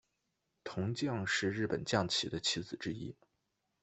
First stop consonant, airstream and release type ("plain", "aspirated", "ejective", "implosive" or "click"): aspirated